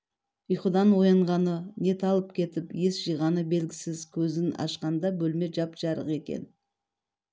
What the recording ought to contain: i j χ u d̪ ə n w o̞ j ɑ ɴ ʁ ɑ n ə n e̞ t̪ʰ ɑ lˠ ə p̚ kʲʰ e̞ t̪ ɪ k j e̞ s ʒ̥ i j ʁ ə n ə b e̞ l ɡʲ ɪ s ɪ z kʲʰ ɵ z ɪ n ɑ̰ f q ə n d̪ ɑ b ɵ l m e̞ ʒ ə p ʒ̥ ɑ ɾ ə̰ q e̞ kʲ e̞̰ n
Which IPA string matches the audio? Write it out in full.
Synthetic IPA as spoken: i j χ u d̪ ɑ n w o̞ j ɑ ɴ ʁ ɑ n ə n e̞ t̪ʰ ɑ lˠ ə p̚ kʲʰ e̞ t̪ ɪ p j e̞ s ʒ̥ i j ʁ ɑ n ə b e̞ l ɡʲ ɪ s ɪ z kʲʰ ɵ z ɪ n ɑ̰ ʃ q ɑ n d̪ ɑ b ɵ l m e̞ ʒ ɑ p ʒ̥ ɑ ɾ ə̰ q e̞ kʲ e̞̰ n